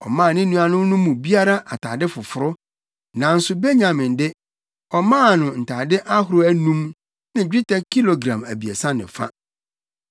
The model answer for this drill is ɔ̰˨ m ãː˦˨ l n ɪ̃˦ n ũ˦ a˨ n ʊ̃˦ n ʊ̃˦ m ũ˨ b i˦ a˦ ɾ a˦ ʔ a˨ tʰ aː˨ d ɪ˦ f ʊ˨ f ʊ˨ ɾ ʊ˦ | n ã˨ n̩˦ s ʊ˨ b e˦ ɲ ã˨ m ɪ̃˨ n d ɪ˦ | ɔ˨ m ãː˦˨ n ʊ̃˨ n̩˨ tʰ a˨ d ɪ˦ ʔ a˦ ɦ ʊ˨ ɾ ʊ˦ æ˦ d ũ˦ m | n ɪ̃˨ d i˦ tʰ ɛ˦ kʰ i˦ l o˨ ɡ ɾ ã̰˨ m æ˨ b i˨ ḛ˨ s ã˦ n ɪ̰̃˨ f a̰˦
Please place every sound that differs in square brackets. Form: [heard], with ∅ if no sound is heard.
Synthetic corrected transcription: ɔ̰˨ m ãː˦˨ [∅] n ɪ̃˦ n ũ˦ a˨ n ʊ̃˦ n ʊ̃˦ m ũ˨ b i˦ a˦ ɾ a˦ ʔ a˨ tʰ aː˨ d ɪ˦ f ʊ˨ f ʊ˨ ɾ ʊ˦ | n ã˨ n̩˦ s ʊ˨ b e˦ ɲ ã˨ m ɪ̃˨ n d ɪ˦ | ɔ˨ m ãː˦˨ n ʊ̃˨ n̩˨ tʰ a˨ d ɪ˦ ʔ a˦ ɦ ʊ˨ ɾ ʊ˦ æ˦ [n] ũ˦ m | n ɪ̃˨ [d͡ʑᶣ] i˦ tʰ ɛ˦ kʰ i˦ l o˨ ɡ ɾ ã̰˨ m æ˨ b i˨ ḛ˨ s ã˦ n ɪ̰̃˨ f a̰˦